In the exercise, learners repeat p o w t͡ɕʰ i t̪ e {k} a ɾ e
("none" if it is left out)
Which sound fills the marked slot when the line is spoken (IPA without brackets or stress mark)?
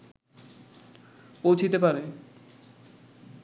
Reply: p